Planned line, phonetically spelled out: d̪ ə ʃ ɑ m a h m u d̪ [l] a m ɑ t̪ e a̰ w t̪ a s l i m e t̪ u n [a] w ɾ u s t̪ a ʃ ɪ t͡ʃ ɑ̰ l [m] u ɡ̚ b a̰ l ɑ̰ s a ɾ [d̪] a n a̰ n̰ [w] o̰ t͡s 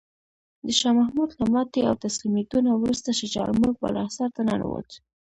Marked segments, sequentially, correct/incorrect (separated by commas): correct, correct, correct, incorrect, correct